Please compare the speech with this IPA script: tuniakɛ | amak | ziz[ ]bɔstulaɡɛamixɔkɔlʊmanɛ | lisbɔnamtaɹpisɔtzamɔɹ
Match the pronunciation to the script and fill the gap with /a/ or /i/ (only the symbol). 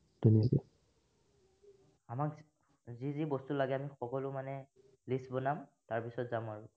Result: i